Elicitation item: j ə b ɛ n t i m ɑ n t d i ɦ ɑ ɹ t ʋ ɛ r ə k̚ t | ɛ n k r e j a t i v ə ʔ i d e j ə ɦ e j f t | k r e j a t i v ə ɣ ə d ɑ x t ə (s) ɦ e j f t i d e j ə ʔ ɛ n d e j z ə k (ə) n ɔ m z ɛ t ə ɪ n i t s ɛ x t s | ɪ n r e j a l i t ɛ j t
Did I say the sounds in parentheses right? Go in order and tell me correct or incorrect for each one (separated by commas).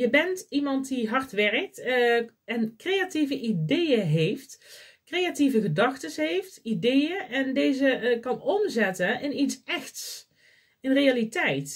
correct, incorrect